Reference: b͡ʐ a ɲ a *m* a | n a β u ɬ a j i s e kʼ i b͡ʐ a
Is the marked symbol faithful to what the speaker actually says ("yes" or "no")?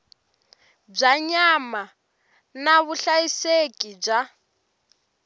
yes